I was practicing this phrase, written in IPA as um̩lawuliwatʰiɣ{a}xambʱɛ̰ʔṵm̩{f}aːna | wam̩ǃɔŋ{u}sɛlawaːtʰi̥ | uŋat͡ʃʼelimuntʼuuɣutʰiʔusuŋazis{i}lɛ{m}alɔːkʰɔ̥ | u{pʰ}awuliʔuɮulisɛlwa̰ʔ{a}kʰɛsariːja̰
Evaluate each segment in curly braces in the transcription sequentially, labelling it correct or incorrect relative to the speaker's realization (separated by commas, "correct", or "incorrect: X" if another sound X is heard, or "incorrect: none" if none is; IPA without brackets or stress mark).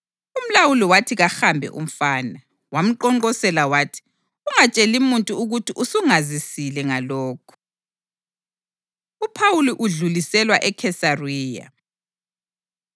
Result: correct, correct, incorrect: ɔ, correct, incorrect: ŋ, correct, incorrect: ɛ